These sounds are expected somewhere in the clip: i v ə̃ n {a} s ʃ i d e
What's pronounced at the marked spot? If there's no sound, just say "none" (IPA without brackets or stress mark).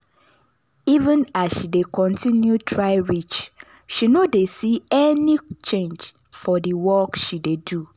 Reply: a